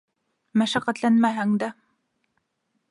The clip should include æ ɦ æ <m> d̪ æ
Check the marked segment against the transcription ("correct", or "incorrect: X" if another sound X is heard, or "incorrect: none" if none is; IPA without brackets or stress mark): incorrect: ŋ